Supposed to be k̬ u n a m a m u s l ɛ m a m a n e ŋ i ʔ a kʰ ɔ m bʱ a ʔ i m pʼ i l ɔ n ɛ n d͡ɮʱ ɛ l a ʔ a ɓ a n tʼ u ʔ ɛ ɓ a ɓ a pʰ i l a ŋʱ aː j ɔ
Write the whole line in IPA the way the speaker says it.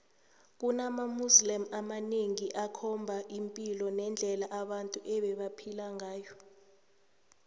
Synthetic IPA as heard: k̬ u n a m a m u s l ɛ m a m a n e ŋ i ʔ a kʰ ɔ m bʱ a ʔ i m pʼ i l ɔ n ɛ n d͡ɮʱ ɛ l a ʔ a ɓ a n tʼ u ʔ ɛ ɓ ɛ ɓ a pʰ i l a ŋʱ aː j ɔ